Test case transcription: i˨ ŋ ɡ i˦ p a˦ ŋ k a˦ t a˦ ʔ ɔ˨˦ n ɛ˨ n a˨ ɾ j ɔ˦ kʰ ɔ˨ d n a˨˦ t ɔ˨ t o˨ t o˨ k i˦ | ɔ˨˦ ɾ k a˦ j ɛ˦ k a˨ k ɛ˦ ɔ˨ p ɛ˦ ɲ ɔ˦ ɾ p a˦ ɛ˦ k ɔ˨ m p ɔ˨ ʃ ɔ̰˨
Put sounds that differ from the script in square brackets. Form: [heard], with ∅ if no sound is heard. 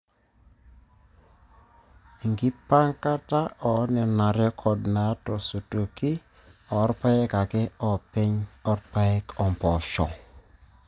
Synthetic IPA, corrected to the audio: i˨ ŋ ɡ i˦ p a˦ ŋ k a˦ t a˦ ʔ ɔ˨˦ n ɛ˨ n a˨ ɾ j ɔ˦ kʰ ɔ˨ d n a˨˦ t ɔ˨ [s] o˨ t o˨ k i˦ | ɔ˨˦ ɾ [p] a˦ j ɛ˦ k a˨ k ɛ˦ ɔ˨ p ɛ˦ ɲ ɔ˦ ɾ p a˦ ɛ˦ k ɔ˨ m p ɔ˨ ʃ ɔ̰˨